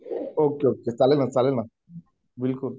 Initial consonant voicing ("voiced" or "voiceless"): voiceless